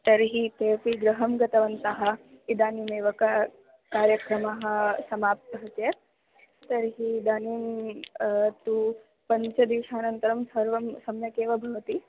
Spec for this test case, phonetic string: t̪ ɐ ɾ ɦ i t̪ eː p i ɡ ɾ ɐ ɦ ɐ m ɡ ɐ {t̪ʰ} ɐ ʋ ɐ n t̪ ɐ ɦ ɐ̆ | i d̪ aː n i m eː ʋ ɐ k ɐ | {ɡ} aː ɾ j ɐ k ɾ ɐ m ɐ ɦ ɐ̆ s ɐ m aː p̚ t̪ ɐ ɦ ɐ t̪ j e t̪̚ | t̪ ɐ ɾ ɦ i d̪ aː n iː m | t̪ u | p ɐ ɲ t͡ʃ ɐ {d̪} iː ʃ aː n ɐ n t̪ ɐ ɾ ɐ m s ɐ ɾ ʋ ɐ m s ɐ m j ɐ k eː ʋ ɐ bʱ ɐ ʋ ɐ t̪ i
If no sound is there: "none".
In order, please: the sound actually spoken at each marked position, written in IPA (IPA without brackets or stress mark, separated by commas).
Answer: t̪, k, d̪